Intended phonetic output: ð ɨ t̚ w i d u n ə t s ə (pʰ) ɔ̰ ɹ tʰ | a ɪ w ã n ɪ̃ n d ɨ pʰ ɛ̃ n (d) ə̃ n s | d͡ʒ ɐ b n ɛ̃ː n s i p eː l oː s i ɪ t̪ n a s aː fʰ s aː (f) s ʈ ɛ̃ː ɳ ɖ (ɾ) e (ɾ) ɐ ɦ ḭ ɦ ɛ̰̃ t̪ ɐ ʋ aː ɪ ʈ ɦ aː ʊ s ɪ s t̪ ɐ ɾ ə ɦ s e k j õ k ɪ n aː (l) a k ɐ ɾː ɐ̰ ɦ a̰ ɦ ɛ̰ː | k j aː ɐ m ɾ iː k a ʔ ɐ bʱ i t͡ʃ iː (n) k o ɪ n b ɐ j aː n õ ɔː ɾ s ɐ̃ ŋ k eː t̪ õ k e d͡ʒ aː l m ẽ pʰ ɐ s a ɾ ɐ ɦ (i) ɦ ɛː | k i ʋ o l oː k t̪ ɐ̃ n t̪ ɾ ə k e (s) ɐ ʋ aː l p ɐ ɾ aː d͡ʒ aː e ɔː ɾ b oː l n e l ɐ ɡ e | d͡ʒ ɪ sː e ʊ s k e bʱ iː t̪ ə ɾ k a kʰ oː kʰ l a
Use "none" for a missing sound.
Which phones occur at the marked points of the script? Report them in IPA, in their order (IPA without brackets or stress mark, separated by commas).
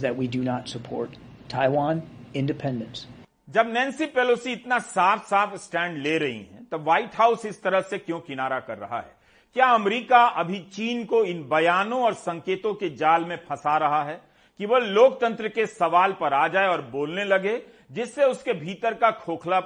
pʰ, d, f, l, ɾ, ɾ, n, a, s